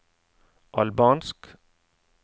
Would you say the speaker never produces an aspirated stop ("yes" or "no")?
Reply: yes